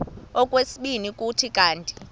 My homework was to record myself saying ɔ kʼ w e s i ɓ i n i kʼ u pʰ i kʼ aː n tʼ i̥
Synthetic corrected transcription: ɔ kʼ w e s i ɓ i n i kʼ u tʰ i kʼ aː n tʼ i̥